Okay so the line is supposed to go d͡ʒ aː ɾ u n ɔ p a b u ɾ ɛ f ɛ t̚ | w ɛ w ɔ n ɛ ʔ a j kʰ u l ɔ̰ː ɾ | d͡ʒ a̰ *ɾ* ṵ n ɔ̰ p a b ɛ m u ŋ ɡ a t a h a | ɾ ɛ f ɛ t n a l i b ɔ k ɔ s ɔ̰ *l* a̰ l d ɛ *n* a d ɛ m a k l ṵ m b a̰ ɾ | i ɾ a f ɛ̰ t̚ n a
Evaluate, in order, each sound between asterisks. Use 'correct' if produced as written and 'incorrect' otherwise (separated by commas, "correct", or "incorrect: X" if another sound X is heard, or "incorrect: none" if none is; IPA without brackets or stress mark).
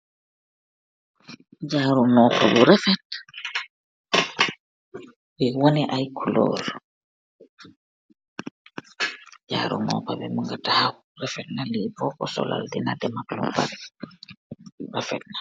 correct, correct, correct